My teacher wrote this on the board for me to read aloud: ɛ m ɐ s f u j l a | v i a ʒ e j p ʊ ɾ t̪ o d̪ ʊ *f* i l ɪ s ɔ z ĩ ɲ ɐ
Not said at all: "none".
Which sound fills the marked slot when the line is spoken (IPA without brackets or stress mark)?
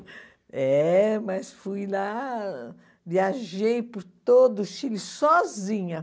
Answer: ʃ